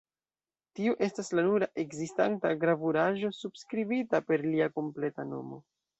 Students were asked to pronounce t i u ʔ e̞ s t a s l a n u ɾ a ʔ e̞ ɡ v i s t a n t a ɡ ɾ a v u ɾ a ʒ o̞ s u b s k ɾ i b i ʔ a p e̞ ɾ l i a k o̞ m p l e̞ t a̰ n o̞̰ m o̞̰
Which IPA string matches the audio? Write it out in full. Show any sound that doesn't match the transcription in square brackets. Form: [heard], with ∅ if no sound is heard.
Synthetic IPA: t i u ʔ e̞ s t a s l a n u ɾ a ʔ e̞ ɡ [z] i s t a n t a ɡ ɾ a v u ɾ a ʒ o̞ s u b s k ɾ i b i [t] a p e̞ ɾ l i a k o̞ m p l e̞ t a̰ n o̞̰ m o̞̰